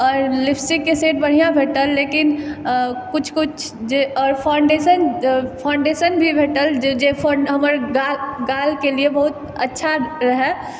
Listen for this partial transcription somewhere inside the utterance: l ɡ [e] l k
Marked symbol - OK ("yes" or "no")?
no